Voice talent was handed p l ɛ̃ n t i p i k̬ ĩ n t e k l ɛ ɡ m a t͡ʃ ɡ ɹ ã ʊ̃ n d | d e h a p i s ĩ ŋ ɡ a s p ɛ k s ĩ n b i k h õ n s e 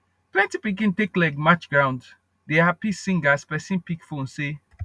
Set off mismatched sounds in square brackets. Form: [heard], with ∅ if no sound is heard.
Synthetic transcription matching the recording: p l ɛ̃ n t i p i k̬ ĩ n t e k l ɛ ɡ m a t͡ʃ ɡ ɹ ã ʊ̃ n d | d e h a p i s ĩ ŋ ɡ a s p ɛ [∅] s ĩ n [p] i k [f] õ n s e

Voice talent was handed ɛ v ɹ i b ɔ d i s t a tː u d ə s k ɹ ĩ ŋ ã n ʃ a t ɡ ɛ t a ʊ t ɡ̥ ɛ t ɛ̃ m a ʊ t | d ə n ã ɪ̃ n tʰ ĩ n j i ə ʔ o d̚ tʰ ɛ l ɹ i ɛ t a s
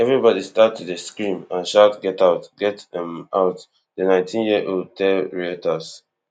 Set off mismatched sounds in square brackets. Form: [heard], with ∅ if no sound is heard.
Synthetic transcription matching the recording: ɛ v ɹ i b ɔ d i s t a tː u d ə s k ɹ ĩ [m] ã n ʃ a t ɡ ɛ t a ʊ t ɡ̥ ɛ t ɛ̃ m a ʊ t | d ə n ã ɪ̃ n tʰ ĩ n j i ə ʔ o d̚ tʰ ɛ l ɹ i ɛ t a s

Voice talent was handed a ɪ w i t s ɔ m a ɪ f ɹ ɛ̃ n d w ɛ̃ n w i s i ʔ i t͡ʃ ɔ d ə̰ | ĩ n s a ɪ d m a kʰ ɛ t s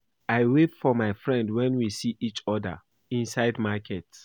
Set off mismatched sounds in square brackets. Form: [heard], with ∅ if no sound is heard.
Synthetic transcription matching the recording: a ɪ w [e] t [f] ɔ m a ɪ f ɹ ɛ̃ n d w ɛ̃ n w i s i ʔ i t͡ʃ ɔ d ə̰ | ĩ n s a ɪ d m a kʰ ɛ t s

